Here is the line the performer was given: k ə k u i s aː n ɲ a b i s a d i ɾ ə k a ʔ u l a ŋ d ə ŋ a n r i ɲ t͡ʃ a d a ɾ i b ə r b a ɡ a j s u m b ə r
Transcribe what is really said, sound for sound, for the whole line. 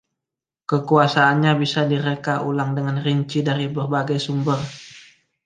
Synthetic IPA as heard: k ə k u a s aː n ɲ a b i s a d i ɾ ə k a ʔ u l a ŋ d ə ŋ a n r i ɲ t͡ʃ i d a ɾ i b ə r b a ɡ a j s u m b ə r

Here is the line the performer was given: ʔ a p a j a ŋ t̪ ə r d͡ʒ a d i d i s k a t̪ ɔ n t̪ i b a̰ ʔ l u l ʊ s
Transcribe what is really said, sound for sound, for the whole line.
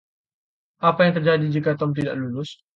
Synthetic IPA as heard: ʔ a p a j a ŋ t̪ ə r d͡ʒ a d i d͡ʒ i k a t̪ ɔ m t̪ i d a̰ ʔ l u l ʊ s

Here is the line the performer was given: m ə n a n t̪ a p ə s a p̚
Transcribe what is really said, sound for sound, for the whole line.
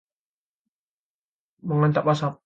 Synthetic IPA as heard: m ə ŋ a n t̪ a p a s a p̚

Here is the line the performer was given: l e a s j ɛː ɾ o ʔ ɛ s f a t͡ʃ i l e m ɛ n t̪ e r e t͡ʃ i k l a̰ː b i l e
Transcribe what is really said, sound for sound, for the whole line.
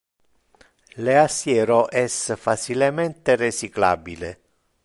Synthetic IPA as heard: l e a s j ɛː ɾ o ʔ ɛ s f a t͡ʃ i l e m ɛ n t̪ e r e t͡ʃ i k l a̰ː b i l e

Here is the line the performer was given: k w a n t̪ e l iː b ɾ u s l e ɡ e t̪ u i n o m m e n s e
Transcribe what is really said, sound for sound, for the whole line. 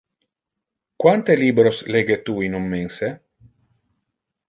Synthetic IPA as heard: k w a n t̪ e l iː b ɾ o s l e ɡ e t̪ u i n u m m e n s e

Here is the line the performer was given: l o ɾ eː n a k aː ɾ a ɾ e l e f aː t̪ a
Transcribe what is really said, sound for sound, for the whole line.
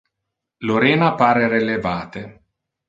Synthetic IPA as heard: l o ɾ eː n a p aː ɾ e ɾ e l e v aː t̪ e

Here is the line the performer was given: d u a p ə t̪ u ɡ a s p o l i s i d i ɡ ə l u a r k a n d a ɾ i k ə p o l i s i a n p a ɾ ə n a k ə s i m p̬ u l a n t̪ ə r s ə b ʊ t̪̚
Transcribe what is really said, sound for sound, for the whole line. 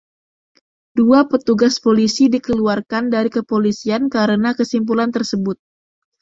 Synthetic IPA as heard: d u a p ə t̪ u ɡ a s p o l i s i d i k ə l u a r k a n d a ɾ i k ə p o l i s i a n k a ɾ ə n a k ə s i m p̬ u l a n t̪ ə r s ə b ʊ t̪̚

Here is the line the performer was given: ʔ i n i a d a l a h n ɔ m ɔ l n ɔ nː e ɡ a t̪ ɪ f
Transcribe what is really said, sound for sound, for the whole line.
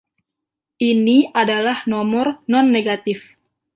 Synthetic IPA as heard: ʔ i n i a d a l a h n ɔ m ɔ r n ɔ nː e ɡ a t̪ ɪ f

